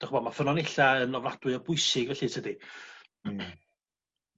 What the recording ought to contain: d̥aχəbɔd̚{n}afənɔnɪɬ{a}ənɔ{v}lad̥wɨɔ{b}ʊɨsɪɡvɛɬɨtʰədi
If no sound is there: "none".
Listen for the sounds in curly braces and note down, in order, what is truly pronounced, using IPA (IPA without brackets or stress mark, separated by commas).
m, a, v, b